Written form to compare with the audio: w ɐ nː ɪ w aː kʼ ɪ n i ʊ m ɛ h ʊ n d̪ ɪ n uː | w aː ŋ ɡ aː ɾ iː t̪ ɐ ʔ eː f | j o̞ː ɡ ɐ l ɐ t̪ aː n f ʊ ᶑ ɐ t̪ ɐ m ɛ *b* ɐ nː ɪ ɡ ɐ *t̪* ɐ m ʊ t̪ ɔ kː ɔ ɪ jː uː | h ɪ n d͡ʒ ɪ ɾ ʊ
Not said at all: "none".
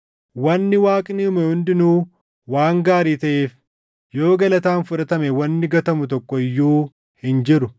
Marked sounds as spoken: w, t̪

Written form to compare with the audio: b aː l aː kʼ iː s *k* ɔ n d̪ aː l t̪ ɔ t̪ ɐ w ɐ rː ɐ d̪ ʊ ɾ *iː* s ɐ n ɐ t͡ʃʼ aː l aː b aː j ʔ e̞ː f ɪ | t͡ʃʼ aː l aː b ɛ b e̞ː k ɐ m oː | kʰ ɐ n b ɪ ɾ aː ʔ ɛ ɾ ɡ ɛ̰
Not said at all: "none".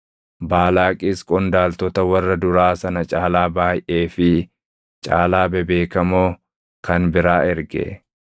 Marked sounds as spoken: kʼ, aː

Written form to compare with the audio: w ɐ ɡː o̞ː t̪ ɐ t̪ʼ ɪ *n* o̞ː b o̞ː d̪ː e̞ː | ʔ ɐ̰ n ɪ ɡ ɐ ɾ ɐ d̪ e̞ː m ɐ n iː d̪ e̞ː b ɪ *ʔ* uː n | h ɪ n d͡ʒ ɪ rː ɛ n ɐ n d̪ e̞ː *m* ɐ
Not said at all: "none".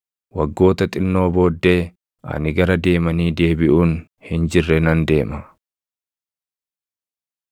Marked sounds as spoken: nː, ʔ, m

